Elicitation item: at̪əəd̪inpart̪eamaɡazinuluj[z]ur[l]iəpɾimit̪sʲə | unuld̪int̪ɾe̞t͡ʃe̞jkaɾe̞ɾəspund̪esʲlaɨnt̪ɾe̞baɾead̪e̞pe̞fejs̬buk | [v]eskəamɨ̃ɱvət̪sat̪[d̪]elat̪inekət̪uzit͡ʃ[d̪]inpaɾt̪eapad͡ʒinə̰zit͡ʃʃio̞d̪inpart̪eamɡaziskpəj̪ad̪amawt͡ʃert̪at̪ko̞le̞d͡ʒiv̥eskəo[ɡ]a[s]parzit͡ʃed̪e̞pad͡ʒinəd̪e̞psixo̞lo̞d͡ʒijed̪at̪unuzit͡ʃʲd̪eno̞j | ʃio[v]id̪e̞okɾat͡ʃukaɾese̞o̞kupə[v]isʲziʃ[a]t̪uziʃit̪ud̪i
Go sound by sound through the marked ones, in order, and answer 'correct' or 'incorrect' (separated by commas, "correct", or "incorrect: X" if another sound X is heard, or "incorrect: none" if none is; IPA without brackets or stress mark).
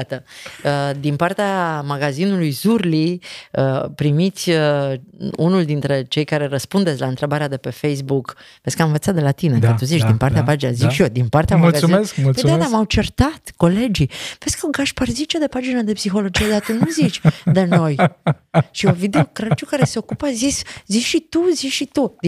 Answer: correct, correct, correct, correct, correct, correct, incorrect: ʃ, correct, incorrect: z, incorrect: i